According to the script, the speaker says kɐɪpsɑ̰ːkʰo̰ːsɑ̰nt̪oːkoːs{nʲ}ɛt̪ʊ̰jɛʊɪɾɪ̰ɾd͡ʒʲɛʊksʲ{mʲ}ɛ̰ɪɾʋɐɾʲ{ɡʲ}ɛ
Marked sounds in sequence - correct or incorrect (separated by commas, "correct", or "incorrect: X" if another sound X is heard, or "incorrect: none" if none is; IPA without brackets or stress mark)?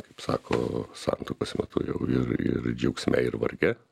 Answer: incorrect: mʲ, correct, correct